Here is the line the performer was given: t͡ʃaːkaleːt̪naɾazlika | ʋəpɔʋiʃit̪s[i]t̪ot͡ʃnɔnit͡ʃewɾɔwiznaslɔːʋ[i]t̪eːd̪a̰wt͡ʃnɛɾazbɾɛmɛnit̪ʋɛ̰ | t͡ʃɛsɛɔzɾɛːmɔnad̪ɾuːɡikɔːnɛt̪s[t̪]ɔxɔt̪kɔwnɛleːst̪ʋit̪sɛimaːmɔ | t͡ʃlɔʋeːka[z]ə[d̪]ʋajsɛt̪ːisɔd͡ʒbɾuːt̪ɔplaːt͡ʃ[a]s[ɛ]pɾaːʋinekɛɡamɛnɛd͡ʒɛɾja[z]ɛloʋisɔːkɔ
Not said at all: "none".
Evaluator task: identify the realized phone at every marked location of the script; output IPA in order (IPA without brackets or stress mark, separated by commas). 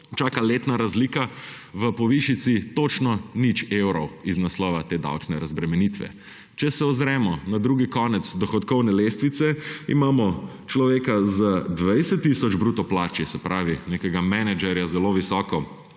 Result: i, a, d̪, z, d̪, i, ɛ, z